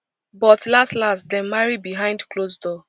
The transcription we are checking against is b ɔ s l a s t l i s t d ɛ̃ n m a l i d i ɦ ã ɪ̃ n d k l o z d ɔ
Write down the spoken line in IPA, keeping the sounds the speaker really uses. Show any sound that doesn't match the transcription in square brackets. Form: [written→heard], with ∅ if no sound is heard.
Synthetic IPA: b ɔ [s→t] l a s t l [i→a] s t d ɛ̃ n m a [l→ɹ] i [d→b] i ɦ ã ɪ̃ n d k l o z d ɔ